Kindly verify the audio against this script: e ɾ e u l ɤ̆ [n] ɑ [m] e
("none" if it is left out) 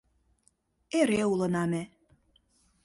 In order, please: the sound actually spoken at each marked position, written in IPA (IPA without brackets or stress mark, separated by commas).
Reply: n, m